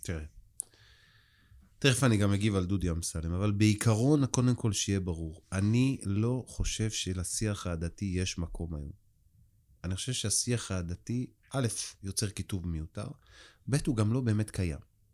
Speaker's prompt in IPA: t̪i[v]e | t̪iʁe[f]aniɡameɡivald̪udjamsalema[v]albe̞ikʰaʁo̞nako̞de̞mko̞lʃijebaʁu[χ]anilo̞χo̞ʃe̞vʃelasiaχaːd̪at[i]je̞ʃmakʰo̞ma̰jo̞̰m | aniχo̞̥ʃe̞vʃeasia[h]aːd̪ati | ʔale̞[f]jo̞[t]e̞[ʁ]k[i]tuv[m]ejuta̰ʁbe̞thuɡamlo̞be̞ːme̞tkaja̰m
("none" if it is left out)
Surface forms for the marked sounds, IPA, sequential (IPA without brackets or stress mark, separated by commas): ʁ, f, v, ʁ, i, χ, f, t͡s, ʁ, i, m